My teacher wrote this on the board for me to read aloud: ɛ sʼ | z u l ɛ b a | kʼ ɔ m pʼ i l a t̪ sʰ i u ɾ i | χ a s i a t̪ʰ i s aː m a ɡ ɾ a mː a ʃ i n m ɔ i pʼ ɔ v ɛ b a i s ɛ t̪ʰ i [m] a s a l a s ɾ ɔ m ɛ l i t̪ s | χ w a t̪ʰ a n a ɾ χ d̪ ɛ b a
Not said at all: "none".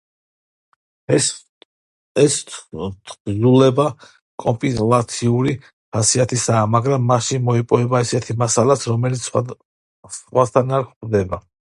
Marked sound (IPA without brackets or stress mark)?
m